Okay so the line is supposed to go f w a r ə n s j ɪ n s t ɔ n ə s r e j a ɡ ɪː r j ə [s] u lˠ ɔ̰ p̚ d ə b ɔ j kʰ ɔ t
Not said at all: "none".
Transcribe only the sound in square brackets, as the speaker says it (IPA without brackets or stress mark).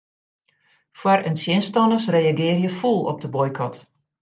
f